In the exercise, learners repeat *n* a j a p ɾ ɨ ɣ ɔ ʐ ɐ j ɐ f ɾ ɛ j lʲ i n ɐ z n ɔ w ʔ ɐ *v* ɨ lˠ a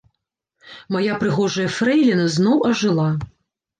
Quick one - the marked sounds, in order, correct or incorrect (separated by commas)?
incorrect, incorrect